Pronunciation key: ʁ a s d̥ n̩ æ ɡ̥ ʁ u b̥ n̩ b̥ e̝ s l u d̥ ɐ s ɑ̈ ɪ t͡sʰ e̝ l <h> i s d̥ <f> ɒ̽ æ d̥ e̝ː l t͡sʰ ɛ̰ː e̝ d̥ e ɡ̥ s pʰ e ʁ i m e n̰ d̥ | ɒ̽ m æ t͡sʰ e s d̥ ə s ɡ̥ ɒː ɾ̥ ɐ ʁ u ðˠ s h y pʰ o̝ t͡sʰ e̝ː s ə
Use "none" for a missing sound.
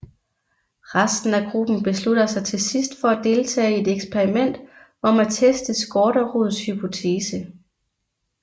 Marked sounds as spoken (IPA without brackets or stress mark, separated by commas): s, f